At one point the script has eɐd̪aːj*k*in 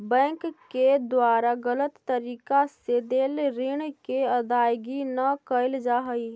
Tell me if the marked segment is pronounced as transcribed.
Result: no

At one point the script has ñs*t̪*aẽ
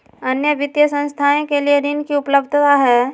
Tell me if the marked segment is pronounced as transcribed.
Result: no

